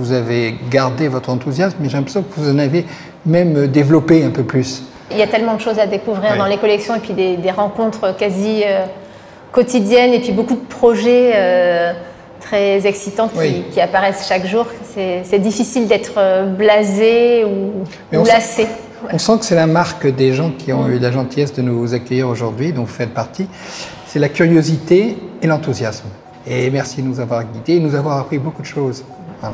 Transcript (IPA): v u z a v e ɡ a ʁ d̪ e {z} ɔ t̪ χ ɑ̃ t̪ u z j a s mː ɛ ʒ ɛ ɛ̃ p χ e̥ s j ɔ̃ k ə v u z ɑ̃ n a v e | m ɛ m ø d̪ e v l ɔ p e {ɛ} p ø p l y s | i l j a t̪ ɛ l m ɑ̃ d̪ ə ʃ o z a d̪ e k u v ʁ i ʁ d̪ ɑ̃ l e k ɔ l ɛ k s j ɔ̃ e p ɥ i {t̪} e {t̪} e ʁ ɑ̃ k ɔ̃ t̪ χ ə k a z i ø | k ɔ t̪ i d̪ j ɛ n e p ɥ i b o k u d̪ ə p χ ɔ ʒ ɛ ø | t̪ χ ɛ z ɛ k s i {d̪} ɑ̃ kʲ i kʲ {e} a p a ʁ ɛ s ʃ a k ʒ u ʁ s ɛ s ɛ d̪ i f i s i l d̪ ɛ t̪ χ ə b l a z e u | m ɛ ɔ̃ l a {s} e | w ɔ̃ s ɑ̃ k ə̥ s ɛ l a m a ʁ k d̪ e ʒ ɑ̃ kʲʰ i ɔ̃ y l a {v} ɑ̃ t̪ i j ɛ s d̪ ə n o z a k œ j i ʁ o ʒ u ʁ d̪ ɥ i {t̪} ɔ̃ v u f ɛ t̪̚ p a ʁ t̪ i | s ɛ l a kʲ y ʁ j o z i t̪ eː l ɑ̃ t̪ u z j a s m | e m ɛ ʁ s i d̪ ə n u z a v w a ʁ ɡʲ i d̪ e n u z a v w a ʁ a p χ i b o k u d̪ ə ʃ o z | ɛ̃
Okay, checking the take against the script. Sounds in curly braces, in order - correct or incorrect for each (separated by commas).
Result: incorrect, incorrect, incorrect, incorrect, incorrect, incorrect, correct, incorrect, incorrect